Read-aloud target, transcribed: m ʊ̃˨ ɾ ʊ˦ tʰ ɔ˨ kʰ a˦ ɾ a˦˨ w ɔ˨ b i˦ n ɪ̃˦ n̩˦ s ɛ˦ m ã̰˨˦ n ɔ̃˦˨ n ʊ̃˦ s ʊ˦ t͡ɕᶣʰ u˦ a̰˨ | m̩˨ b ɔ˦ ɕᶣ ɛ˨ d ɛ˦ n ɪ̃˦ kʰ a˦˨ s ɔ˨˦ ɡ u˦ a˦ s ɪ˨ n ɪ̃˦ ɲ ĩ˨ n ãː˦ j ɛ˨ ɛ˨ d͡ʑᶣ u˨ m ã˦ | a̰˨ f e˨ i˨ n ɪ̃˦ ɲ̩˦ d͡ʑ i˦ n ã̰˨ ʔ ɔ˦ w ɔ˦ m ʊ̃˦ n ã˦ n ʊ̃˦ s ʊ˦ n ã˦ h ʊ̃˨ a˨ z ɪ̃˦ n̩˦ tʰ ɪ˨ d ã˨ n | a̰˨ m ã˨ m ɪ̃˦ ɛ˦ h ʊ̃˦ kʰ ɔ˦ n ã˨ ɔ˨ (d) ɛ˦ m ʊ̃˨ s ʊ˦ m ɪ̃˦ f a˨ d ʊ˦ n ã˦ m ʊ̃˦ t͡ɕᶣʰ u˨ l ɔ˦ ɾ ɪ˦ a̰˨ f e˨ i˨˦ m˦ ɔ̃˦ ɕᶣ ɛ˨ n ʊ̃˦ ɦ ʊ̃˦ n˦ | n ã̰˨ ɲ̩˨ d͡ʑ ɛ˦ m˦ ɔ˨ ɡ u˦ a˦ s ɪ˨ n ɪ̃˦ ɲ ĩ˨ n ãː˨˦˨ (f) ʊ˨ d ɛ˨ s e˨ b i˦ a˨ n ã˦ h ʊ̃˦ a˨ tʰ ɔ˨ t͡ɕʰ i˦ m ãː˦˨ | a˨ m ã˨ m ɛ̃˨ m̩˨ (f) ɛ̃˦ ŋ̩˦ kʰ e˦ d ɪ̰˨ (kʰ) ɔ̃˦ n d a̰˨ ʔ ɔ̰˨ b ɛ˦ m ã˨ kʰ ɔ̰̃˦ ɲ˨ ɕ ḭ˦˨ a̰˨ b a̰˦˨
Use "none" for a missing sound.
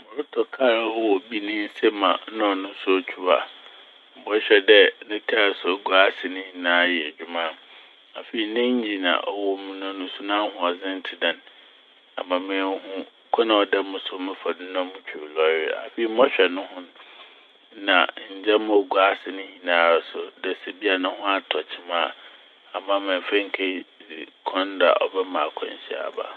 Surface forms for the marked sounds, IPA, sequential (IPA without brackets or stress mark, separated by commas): d, s, f, kʰ